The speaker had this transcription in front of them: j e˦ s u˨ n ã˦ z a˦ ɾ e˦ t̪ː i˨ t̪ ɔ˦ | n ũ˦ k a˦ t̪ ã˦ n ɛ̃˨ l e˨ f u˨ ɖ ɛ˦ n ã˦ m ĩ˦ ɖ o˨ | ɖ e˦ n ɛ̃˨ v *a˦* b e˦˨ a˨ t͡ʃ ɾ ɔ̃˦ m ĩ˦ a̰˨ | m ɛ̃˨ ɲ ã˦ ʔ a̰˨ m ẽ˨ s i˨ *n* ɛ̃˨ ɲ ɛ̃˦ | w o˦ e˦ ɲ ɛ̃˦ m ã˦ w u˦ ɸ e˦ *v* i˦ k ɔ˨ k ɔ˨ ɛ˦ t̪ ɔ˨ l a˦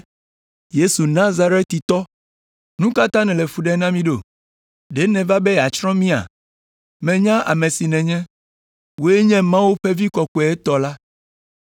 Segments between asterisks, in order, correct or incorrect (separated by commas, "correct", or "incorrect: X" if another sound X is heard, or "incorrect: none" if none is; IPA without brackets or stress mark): correct, correct, correct